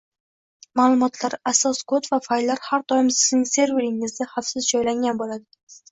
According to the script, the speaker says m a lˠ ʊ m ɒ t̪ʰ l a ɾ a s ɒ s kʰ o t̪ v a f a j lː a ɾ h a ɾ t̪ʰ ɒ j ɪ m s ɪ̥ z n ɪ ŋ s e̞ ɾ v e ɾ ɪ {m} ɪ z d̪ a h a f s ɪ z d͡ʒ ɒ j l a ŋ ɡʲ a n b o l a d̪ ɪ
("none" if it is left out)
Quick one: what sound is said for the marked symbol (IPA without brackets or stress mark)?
ŋ